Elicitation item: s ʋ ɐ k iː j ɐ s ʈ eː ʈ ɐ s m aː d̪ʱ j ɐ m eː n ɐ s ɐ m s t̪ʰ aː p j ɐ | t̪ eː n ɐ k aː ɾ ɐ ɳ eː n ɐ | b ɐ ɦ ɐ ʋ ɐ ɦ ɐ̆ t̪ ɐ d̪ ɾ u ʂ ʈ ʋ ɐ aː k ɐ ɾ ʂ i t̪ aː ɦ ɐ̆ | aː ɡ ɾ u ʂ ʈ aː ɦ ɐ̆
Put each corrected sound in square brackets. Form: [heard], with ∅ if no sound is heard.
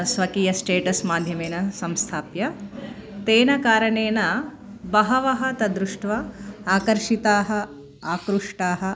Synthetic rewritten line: s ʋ ɐ k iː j ɐ s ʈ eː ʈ ɐ s m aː d̪ʱ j ɐ m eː n ɐ s ɐ m s t̪ʰ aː p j ɐ | t̪ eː n ɐ k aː ɾ ɐ ɳ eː n ɐ | b ɐ ɦ ɐ ʋ ɐ ɦ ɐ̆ t̪ ɐ d̪ ɾ u ʂ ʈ ʋ ɐ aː k ɐ ɾ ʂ i t̪ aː ɦ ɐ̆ | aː [k] ɾ u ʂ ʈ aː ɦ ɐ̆